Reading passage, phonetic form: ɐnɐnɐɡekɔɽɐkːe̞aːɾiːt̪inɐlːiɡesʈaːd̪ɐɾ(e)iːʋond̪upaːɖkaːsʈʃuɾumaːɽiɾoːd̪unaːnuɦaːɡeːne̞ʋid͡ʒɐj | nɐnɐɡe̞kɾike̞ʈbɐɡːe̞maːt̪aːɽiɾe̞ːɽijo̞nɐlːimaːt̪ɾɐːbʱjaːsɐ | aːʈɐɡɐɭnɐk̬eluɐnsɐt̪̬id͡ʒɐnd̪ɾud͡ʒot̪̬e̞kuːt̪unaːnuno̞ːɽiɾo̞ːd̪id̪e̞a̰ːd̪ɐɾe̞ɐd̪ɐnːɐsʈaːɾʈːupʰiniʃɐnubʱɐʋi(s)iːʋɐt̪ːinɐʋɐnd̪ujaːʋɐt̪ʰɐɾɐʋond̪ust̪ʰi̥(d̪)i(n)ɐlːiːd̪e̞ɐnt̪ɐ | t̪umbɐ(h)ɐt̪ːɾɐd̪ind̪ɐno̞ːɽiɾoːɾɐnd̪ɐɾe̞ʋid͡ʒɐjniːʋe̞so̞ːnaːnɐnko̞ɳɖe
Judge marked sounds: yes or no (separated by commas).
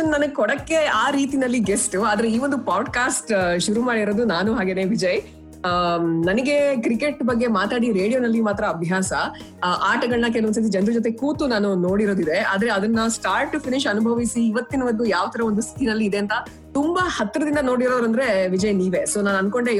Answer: yes, yes, no, yes, yes